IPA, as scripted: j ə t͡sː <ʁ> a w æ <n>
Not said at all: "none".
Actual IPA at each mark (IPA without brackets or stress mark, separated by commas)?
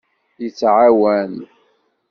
ʕ, n